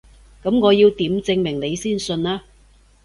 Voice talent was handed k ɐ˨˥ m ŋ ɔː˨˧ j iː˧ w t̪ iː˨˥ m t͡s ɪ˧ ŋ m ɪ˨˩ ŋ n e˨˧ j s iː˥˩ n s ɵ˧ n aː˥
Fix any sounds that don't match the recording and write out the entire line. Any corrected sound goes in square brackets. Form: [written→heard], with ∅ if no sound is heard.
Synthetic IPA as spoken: k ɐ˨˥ m ŋ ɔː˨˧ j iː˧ w t̪ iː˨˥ m t͡s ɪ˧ ŋ m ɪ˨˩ ŋ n e˨˧ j s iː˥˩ n s ɵ˧ n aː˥